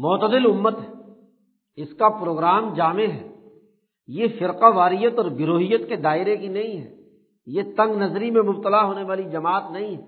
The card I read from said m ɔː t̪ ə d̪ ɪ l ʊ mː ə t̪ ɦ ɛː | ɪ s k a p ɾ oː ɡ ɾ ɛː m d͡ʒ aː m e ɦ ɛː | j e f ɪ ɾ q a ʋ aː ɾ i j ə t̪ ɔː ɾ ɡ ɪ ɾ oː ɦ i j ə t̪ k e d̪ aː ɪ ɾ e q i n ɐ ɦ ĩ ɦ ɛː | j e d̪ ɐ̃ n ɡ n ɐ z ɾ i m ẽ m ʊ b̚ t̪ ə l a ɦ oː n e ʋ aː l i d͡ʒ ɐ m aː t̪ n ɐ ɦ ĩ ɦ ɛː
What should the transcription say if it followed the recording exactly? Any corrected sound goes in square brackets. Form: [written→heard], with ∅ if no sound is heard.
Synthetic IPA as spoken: m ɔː t̪ ə d̪ ɪ l ʊ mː ə t̪ ɦ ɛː | ɪ s k a p ɾ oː ɡ ɾ [ɛː→aː] m d͡ʒ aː m e ɦ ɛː | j e f ɪ ɾ q a ʋ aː ɾ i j ə t̪ ɔː ɾ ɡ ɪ ɾ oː ɦ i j ə t̪ k e d̪ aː ɪ ɾ e [q→k] i n ɐ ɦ ĩ ɦ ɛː | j e [d̪→t̪] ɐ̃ [n→ŋ] ɡ n ɐ z ɾ i m ẽ m ʊ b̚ t̪ ə l a ɦ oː n e ʋ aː l i d͡ʒ ɐ m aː t̪ n ɐ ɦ ĩ ɦ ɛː